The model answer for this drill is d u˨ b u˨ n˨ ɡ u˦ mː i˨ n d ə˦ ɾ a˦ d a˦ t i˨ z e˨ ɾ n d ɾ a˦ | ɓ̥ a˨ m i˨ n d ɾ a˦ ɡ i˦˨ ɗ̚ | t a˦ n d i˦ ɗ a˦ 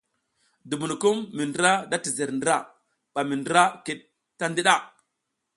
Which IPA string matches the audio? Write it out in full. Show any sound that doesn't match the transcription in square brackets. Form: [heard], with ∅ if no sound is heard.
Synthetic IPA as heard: d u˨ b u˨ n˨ [k] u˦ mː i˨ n d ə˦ ɾ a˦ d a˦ t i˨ z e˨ ɾ n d ɾ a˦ | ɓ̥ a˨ m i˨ n d ɾ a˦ [k] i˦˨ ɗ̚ | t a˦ n d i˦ ɗ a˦